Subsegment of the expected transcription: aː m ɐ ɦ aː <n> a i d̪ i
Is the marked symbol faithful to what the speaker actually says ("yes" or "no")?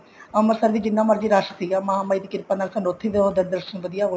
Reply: no